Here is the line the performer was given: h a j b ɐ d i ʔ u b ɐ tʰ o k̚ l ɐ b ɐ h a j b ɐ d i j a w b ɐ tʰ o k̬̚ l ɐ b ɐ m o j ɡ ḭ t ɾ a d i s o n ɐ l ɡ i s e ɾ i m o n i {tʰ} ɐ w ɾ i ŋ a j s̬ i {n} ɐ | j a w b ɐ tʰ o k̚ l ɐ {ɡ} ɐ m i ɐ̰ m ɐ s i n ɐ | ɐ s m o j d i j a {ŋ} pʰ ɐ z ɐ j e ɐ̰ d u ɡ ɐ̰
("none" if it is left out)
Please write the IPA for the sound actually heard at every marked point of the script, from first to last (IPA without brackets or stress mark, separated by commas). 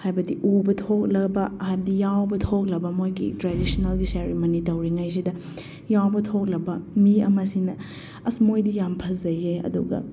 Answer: t, d, b, m